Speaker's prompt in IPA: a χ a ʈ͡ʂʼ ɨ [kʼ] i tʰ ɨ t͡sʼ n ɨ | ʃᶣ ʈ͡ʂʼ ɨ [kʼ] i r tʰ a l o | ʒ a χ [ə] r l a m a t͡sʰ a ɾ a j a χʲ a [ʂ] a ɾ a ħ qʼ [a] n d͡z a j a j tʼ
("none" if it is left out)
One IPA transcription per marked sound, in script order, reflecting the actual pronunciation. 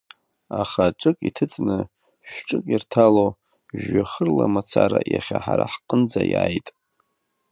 kʼ, kʼ, ə, ħ, ə

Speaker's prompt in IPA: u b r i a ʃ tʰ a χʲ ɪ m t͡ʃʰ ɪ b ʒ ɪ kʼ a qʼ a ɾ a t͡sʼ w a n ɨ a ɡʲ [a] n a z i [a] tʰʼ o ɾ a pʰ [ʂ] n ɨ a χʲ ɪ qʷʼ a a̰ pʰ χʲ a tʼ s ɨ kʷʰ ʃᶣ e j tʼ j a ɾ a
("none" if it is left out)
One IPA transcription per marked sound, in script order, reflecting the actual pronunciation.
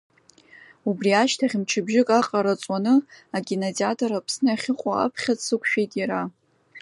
i, a, s

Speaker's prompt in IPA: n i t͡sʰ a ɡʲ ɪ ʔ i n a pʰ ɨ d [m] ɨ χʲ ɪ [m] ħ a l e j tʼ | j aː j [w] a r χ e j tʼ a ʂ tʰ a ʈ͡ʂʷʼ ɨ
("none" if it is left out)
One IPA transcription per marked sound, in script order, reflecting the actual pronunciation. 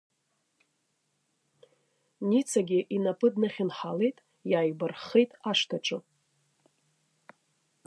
n, n, b

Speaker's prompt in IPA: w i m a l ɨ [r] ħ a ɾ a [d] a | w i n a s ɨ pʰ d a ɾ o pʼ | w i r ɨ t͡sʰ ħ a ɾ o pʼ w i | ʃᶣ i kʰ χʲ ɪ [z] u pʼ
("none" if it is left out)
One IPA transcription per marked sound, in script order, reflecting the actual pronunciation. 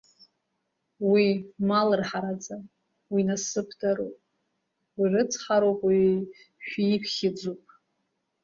r, d͡z, d͡z

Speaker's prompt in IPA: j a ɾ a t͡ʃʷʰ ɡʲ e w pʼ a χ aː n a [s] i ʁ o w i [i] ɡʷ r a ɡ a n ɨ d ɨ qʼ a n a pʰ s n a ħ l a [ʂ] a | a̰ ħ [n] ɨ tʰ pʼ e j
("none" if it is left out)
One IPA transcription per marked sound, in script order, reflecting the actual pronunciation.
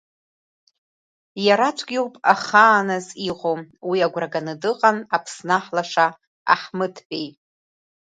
z, a, ʂ, m

